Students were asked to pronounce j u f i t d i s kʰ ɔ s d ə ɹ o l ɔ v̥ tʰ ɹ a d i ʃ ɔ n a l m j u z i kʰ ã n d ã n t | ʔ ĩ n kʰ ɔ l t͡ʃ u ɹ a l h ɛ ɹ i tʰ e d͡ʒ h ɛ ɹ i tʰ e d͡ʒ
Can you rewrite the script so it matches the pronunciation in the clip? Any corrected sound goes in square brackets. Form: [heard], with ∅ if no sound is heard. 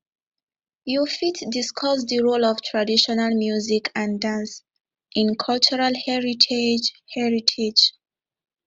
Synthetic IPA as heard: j u f i t d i s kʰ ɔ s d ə ɹ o l ɔ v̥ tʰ ɹ a d i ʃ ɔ n a l m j u z i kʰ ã n d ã n [s] | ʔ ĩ n kʰ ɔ l t͡ʃ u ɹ a l h ɛ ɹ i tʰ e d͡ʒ h ɛ ɹ i tʰ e d͡ʒ